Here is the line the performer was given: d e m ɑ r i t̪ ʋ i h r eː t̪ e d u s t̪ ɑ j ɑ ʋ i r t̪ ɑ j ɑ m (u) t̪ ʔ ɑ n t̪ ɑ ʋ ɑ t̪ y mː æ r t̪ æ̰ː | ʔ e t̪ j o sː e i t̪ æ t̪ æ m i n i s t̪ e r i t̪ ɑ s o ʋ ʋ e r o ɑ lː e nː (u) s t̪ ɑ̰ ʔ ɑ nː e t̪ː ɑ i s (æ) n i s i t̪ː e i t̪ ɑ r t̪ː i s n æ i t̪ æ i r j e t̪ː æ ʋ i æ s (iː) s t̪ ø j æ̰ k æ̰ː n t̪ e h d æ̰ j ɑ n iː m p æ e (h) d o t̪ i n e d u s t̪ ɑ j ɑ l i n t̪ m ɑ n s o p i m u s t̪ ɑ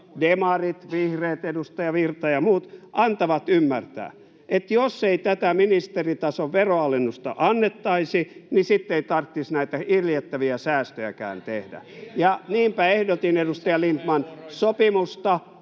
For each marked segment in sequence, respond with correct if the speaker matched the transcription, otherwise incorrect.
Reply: incorrect: uː, correct, incorrect: i, incorrect: æː, correct

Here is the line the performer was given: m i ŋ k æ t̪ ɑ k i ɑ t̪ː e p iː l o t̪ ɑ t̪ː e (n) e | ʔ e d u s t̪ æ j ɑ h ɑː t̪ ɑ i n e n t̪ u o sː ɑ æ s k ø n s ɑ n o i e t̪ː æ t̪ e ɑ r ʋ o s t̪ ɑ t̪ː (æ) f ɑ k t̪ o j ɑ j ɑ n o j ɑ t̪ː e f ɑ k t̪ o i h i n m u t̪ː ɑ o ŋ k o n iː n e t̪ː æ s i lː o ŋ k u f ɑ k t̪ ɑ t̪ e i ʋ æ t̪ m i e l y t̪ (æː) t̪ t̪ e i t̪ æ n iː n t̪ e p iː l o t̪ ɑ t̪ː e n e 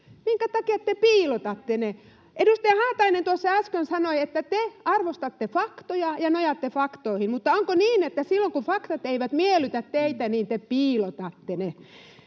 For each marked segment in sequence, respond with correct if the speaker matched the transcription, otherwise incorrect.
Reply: correct, incorrect: e, incorrect: æ

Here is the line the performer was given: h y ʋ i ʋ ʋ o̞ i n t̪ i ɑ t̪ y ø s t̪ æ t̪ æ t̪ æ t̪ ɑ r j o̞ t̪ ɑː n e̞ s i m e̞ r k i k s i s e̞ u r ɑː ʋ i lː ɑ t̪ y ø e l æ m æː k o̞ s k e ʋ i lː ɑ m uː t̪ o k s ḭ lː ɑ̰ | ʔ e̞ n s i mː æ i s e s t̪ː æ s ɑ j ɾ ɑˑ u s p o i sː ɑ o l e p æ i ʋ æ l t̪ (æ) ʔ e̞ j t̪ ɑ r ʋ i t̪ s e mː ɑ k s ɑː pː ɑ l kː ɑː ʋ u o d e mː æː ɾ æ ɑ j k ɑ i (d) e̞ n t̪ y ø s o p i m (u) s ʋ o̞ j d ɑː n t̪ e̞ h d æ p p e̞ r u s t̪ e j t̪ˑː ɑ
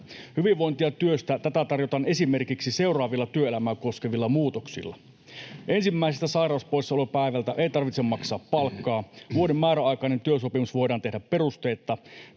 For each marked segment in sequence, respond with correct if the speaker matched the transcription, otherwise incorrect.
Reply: correct, incorrect: n, correct

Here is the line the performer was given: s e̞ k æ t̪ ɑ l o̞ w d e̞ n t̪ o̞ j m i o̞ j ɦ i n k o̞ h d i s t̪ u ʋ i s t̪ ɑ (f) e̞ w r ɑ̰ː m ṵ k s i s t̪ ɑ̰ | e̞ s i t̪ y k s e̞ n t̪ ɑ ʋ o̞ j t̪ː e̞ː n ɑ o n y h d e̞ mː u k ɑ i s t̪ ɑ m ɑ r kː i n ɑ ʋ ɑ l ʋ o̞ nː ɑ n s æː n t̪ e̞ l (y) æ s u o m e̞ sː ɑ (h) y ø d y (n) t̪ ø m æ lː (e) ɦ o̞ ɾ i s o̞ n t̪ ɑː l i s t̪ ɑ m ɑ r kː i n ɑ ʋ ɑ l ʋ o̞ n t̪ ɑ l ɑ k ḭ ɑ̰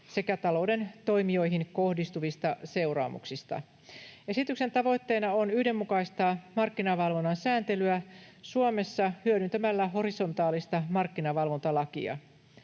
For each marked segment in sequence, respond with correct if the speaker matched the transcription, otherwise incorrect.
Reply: incorrect: s, correct, correct, correct, incorrect: æ

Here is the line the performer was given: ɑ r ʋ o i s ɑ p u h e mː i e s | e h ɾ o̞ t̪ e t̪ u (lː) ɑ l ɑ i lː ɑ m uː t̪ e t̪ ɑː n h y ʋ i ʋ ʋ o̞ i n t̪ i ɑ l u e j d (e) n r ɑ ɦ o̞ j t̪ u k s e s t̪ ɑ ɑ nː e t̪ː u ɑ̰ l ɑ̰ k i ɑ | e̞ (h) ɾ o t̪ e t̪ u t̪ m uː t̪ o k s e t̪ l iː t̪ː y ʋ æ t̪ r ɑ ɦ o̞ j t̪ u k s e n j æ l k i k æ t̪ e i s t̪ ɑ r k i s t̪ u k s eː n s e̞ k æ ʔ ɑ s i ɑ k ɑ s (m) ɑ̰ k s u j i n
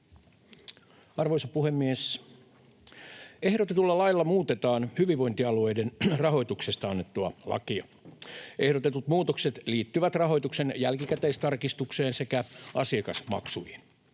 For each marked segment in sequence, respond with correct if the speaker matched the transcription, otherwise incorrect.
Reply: correct, correct, correct, correct

